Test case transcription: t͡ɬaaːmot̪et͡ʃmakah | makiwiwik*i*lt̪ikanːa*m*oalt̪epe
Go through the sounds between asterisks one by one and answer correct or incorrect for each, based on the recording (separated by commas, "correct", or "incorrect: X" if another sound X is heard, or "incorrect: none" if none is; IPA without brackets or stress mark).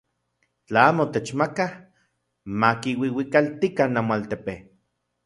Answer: incorrect: a, correct